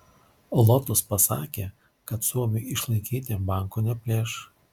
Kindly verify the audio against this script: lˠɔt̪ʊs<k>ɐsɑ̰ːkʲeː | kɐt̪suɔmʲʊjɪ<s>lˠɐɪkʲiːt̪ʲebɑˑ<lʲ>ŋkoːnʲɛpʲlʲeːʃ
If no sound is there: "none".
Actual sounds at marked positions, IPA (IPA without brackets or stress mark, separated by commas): p, ʃ, none